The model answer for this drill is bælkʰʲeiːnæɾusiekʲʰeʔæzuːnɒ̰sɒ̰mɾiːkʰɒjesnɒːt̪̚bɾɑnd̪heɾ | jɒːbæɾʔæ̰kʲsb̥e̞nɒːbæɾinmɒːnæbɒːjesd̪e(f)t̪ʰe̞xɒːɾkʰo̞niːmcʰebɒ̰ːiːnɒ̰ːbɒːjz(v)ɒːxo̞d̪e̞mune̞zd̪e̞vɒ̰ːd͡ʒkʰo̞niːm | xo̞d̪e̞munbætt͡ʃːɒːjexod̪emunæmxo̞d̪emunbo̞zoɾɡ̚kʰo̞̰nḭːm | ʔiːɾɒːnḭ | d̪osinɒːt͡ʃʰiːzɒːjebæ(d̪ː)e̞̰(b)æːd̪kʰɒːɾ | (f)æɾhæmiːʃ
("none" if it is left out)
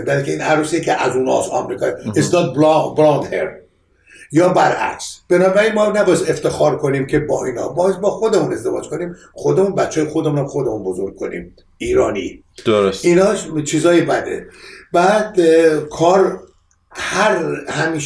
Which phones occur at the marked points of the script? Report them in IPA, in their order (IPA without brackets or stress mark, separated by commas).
f, b, d̪, b, h